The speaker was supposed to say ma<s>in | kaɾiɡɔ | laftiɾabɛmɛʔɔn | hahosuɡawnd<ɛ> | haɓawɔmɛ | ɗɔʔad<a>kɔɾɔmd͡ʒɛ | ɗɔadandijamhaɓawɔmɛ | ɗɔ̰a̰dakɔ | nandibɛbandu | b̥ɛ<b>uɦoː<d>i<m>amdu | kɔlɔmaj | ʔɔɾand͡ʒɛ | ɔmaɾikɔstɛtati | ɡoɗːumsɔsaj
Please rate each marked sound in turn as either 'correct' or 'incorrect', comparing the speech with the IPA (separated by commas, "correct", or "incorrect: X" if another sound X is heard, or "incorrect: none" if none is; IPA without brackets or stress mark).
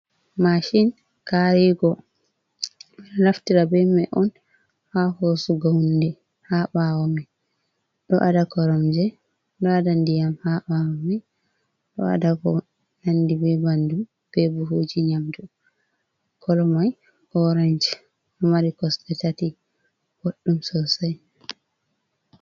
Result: incorrect: ʃ, correct, correct, correct, incorrect: d͡ʒ, incorrect: ɲ